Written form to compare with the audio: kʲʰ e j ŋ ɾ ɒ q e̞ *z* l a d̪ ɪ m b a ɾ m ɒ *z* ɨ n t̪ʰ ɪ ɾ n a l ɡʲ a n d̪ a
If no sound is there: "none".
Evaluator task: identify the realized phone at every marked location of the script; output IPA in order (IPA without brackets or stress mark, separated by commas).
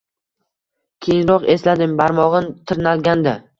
s, ʁ